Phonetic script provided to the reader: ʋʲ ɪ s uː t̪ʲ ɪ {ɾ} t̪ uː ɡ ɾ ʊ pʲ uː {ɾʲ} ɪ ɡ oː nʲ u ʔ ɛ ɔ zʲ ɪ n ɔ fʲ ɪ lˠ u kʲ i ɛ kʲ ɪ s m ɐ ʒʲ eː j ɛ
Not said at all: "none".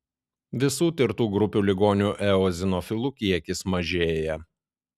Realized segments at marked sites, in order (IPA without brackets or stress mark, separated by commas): ɾ, lʲ